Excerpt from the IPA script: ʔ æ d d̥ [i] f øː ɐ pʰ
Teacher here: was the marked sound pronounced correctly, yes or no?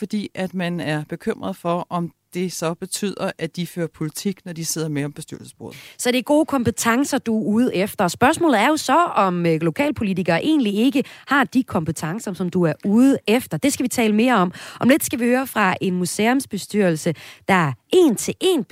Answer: yes